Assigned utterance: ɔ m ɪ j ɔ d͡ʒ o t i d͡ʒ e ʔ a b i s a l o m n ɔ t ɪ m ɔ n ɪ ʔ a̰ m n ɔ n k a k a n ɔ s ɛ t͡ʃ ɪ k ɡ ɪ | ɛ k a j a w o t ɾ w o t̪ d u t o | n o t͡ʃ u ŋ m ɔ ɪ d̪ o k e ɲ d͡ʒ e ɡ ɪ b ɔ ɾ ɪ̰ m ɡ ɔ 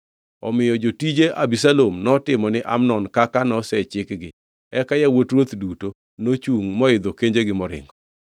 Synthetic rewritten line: ɔ m ɪ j ɔ d͡ʒ o t i d͡ʒ e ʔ a b i s a l o m n ɔ t ɪ m ɔ n ɪ ʔ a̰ m n ɔ n k a k a n ɔ s ɛ t͡ʃ ɪ k ɡ ɪ | ɛ k a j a w o t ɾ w o t̪ d u t o | n o t͡ʃ u ŋ m ɔ ɪ d̪ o k e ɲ d͡ʒ e ɡ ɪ m ɔ ɾ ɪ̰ ŋ ɡ ɔ